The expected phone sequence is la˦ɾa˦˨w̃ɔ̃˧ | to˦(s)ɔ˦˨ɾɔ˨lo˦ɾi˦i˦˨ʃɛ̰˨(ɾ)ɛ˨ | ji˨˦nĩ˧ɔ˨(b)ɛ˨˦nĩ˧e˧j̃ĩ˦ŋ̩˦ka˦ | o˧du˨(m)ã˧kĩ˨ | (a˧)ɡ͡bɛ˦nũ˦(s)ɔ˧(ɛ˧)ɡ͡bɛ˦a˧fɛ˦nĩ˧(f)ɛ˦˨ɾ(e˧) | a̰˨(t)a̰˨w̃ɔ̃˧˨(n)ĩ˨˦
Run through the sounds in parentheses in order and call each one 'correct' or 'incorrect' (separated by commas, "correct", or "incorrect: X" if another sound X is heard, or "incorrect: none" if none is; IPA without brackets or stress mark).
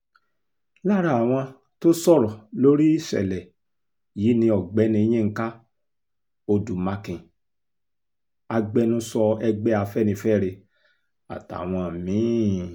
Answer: correct, incorrect: l, incorrect: ɡ͡b, correct, correct, correct, correct, correct, correct, correct, incorrect: m